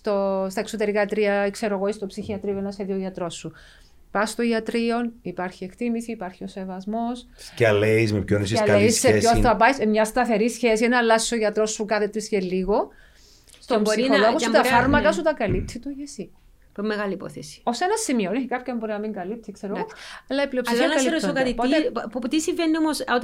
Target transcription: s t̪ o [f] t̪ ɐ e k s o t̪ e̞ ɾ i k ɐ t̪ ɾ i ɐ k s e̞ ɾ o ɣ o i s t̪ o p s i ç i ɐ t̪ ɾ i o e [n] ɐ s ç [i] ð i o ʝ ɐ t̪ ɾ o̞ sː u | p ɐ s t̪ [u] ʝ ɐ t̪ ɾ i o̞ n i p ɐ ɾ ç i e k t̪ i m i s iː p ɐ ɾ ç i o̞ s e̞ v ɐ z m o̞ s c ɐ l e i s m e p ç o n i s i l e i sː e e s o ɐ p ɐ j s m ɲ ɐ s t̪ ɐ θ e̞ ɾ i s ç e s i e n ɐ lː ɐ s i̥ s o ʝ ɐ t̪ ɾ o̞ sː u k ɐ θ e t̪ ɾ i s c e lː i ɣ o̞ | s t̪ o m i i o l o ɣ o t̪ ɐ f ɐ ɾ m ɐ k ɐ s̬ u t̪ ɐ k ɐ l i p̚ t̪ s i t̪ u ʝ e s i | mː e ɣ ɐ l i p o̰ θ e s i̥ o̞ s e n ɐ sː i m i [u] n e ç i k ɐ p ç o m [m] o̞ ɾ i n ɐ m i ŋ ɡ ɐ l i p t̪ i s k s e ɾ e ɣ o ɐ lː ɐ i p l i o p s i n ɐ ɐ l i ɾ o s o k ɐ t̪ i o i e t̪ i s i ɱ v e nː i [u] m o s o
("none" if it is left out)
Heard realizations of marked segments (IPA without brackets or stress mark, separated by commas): s, n, e, o, o, b, o